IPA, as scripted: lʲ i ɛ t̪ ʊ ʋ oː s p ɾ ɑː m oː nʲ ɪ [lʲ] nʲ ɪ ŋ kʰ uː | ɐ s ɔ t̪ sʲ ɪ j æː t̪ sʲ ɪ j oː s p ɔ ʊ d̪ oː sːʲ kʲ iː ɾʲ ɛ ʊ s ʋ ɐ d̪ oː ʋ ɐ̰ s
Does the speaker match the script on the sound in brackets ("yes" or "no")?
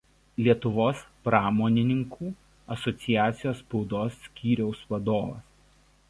no